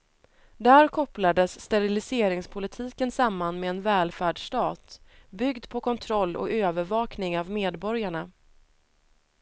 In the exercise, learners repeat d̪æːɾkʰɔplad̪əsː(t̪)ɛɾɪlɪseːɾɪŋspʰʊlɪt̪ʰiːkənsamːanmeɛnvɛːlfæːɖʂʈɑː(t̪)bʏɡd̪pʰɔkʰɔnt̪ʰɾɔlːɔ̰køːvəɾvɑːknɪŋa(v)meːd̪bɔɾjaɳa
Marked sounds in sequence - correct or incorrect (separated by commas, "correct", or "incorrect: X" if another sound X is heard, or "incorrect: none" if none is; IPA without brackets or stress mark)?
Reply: correct, correct, correct